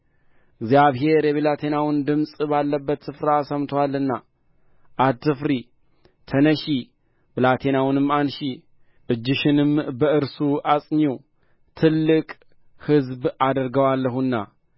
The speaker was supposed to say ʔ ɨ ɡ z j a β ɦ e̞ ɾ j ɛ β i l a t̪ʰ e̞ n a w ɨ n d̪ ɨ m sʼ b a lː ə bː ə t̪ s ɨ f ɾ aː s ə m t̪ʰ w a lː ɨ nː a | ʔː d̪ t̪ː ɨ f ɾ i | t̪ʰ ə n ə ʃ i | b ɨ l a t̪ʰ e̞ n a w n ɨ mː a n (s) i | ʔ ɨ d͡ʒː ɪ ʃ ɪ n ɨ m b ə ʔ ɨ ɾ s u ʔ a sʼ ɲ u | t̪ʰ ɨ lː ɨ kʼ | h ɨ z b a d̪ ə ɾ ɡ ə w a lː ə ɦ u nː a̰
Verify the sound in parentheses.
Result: incorrect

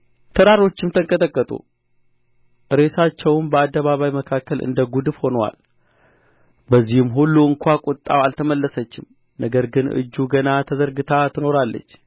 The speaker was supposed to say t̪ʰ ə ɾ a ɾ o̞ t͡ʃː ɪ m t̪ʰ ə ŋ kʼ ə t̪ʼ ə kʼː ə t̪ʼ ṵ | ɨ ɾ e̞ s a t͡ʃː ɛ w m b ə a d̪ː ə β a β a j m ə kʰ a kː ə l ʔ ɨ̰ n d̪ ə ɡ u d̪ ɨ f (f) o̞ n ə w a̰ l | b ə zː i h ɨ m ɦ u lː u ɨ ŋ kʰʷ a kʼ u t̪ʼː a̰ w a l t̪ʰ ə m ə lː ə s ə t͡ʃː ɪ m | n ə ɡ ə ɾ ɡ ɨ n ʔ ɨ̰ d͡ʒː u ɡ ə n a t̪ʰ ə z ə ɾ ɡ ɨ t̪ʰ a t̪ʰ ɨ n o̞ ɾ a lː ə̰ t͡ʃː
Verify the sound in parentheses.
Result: incorrect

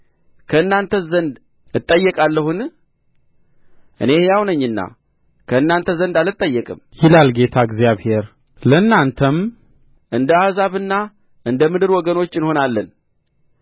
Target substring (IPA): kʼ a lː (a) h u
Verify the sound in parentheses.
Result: incorrect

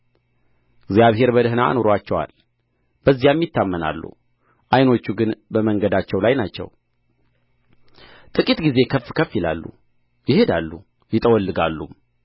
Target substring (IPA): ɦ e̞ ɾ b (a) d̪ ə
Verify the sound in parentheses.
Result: incorrect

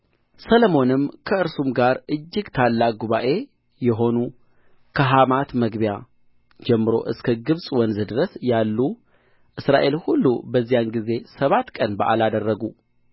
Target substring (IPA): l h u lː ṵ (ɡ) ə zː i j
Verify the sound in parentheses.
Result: incorrect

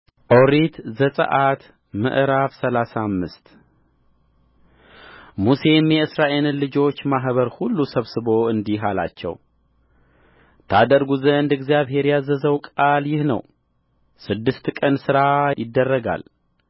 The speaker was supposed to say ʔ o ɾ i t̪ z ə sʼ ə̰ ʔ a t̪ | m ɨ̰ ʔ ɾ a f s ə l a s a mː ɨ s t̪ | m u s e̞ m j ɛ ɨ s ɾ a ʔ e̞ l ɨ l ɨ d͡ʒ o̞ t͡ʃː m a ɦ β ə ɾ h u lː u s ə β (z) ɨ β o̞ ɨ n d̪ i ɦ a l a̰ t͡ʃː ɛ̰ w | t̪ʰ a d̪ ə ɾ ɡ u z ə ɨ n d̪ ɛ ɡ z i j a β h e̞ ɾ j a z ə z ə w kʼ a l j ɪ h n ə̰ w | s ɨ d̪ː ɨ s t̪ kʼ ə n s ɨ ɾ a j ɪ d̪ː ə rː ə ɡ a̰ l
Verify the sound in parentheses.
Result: incorrect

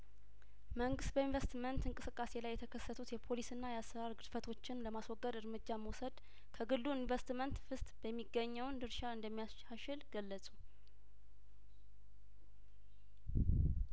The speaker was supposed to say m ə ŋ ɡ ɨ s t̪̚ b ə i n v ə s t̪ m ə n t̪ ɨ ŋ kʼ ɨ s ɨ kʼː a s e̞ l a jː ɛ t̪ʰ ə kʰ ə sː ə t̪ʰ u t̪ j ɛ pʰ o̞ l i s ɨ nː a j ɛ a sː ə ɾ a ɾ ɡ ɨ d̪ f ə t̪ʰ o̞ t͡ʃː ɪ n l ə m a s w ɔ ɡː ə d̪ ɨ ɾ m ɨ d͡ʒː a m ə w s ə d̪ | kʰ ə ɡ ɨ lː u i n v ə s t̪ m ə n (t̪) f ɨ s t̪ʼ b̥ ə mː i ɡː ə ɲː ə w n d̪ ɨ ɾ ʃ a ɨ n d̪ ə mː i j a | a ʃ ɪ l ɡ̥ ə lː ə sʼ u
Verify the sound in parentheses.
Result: correct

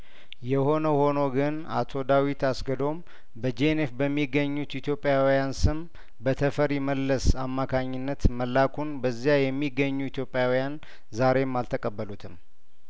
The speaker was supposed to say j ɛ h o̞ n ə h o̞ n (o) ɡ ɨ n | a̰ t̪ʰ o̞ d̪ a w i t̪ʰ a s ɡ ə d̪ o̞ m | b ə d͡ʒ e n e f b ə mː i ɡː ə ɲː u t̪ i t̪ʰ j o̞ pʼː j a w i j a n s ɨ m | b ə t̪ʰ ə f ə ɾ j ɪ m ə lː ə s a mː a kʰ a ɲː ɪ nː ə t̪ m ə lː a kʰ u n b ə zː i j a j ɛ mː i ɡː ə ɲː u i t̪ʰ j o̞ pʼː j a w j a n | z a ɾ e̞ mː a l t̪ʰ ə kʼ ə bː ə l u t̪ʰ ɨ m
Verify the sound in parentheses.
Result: correct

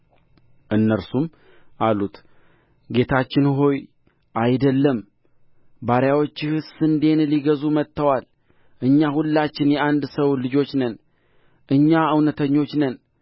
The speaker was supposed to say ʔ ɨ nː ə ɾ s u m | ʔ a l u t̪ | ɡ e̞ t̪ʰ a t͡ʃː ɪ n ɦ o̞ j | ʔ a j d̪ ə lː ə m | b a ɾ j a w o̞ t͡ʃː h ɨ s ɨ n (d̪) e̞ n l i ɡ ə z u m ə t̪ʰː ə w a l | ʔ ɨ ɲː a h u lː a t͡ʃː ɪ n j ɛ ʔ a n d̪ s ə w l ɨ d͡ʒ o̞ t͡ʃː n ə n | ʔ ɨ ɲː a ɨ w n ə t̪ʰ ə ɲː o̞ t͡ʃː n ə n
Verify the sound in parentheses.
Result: correct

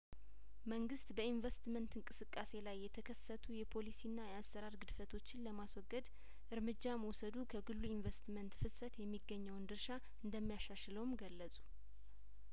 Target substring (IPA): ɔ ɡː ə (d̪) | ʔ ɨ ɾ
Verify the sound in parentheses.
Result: correct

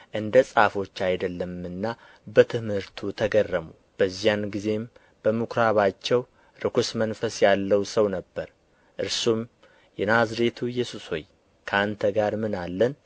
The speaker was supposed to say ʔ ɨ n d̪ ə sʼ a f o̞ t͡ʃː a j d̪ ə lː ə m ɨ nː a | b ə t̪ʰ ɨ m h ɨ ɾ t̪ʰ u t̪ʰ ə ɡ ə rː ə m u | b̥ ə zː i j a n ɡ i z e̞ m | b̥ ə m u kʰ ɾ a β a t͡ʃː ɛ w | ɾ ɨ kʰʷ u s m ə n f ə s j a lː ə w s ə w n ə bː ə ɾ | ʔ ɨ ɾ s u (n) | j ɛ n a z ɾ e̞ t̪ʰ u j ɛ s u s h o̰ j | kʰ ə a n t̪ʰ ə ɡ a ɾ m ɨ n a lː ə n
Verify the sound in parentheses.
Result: incorrect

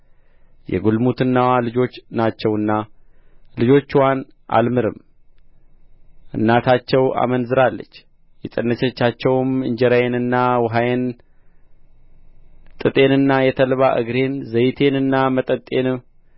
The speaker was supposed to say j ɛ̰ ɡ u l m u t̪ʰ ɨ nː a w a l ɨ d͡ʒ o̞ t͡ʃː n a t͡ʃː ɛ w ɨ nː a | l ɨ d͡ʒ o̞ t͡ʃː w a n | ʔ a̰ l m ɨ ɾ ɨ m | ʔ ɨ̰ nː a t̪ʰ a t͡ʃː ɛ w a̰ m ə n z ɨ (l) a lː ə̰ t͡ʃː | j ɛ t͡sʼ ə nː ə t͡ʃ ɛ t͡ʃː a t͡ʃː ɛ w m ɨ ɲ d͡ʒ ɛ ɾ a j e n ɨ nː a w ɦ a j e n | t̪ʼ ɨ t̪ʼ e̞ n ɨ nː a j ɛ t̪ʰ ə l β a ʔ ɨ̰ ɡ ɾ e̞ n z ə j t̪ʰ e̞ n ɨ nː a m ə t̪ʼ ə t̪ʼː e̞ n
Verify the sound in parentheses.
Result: incorrect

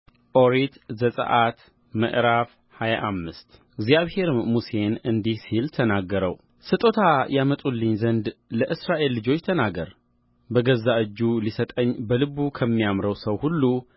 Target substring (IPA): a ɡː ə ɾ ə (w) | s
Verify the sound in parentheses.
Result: correct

